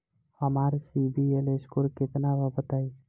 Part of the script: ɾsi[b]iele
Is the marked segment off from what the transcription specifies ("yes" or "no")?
no